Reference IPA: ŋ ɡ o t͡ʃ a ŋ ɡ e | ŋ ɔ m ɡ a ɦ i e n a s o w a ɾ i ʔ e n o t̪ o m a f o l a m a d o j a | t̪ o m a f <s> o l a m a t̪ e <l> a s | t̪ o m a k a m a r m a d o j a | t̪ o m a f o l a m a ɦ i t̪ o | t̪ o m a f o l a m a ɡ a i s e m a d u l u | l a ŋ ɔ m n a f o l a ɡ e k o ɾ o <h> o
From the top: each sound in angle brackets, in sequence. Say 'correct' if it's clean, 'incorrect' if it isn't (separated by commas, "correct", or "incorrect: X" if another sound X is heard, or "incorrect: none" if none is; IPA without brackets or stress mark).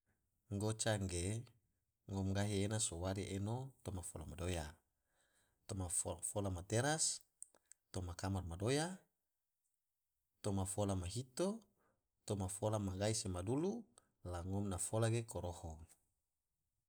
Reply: incorrect: f, incorrect: ɾ, correct